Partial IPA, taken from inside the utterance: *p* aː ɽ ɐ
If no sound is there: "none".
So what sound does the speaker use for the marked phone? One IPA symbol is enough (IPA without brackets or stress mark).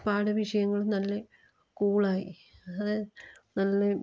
p